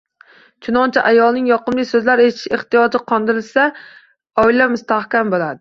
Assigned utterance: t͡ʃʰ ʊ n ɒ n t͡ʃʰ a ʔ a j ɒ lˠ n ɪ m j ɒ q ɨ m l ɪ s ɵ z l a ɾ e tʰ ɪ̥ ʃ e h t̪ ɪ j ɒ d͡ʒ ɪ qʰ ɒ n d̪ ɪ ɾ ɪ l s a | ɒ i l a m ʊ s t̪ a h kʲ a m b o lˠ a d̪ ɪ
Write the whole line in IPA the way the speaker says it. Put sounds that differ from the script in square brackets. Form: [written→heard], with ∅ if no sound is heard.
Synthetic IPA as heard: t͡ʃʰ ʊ n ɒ n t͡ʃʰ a ʔ a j ɒ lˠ n ɪ [m→ŋ] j ɒ q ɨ m l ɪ s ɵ z l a ɾ e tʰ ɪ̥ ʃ e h t̪ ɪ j ɒ d͡ʒ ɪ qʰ ɒ n d̪ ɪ ɾ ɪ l s a | ɒ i l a m ʊ s t̪ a h kʲ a m b o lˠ a d̪ ɪ